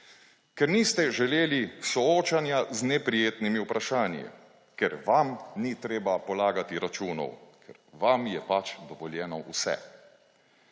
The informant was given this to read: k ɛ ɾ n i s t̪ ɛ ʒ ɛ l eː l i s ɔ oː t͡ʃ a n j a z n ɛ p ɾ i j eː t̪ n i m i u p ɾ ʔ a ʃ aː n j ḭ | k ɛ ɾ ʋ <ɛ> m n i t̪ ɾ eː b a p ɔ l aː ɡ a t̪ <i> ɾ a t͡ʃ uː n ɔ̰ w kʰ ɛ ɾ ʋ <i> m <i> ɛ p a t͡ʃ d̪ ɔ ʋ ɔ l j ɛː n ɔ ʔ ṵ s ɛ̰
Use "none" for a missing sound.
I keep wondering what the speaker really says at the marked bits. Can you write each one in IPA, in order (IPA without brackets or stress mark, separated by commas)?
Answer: a, i, a, j